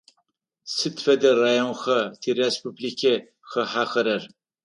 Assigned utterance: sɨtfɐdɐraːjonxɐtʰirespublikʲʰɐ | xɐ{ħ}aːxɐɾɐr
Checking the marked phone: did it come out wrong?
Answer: no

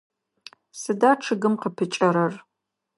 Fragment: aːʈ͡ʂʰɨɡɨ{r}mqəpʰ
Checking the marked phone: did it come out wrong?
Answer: yes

